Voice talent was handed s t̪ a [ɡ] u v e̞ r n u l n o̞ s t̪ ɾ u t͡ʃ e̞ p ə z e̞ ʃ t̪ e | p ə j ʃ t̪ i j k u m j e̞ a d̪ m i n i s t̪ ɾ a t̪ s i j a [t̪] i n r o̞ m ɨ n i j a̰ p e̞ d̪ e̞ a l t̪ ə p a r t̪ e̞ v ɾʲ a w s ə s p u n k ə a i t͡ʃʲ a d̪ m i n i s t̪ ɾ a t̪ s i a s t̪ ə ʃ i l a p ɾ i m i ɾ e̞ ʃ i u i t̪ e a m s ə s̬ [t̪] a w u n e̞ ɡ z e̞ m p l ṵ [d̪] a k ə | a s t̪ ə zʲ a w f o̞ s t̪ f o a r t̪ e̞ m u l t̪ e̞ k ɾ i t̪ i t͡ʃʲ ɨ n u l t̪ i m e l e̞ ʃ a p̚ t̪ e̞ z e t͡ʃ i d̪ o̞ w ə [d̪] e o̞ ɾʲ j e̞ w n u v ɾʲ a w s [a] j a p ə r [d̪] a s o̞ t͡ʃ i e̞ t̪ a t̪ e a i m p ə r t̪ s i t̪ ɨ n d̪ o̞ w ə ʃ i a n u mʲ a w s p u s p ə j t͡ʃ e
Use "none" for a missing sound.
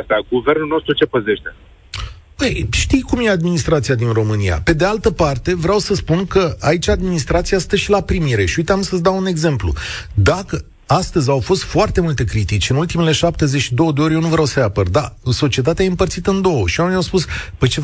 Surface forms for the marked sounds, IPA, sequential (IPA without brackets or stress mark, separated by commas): ɡ, d̪, d̪, d̪, d̪, ə, d̪